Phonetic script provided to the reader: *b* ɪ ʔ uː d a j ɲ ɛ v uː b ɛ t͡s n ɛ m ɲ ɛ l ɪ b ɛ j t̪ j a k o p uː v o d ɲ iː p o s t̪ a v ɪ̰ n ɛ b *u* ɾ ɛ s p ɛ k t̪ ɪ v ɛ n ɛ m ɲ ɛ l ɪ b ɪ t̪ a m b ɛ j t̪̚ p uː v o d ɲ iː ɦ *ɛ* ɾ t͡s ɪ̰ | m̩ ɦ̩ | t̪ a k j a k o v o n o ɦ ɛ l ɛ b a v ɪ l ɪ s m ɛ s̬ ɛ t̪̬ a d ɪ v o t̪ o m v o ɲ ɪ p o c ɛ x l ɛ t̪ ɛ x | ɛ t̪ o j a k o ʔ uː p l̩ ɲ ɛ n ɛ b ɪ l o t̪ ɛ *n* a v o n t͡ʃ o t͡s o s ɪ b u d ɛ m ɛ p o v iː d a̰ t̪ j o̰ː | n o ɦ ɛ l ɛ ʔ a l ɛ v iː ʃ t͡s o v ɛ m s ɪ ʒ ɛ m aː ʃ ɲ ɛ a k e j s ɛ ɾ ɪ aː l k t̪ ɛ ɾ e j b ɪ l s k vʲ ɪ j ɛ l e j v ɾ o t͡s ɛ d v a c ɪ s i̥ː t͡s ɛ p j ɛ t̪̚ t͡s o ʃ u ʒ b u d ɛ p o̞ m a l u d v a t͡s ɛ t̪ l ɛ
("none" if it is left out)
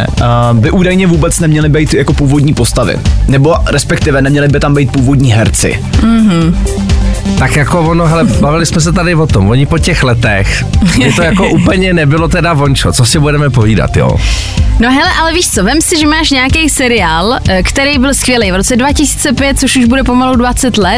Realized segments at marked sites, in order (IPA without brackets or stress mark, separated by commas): b, o, ɛ, d